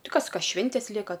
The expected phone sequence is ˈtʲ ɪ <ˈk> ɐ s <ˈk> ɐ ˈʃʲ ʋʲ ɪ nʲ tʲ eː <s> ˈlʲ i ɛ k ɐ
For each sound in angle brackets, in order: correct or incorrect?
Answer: correct, correct, correct

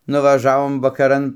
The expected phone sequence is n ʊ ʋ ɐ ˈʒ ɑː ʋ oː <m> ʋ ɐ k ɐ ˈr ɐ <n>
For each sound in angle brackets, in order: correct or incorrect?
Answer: correct, correct

